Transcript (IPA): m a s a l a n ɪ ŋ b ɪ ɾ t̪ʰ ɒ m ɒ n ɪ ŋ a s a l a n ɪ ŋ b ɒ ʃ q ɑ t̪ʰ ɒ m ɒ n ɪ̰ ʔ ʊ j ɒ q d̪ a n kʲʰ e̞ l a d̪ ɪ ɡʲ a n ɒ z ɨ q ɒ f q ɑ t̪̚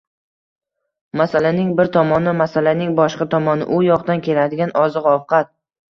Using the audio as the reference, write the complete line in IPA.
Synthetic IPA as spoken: m a s a l a n ɪ ŋ b ɪ ɾ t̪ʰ ɒ m ɒ n ɪ m a s a l a n ɪ ŋ b ɒ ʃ q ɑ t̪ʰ ɒ m ɒ n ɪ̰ ʔ ʊ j ɒ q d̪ a n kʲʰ e̞ l a d̪ ɪ ɡʲ a n ɒ z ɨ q ɒ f q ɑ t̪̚